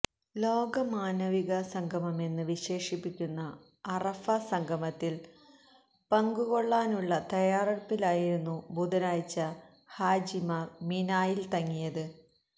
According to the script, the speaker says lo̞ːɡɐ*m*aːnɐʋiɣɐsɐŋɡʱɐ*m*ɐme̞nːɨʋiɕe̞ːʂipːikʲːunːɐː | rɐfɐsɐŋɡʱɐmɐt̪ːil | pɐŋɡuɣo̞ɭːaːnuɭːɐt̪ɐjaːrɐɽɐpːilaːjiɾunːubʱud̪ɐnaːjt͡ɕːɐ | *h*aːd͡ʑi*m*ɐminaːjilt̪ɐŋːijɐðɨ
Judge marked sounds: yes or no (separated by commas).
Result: yes, yes, yes, yes